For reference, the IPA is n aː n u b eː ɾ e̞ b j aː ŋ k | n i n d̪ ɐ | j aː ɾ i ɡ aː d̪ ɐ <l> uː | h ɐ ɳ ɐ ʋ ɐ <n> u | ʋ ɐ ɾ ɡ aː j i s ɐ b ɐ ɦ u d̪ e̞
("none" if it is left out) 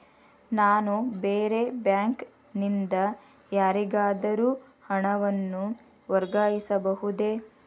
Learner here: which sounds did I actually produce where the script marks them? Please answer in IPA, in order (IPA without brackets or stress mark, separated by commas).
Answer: ɾ, nː